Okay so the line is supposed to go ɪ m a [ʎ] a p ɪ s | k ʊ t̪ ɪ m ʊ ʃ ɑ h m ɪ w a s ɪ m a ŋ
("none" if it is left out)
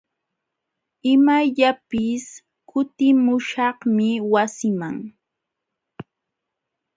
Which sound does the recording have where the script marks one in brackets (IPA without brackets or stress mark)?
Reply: ʎ